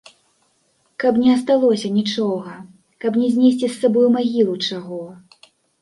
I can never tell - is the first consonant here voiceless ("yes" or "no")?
yes